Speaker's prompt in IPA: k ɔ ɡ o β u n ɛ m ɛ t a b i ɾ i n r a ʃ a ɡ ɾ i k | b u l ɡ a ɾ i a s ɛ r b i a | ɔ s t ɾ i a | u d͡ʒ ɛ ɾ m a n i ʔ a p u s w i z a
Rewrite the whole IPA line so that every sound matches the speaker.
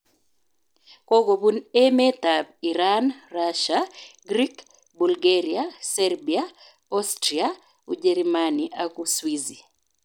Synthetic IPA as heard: k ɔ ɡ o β u n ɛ m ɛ t a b i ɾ a n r a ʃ a ɡ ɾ i k | b u l ɡ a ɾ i a s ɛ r b i a | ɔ s t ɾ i a | u d͡ʒ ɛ ɾ m a n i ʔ a k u s w i z i